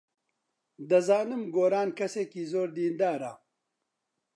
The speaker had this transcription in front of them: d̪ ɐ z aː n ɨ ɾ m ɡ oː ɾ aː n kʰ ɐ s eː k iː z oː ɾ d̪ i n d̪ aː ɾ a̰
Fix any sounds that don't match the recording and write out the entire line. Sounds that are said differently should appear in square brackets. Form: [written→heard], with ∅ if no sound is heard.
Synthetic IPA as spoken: d̪ ɐ z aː n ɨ [ɾ→∅] m ɡ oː ɾ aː n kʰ ɐ s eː k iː z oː ɾ d̪ [i→iː] n d̪ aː ɾ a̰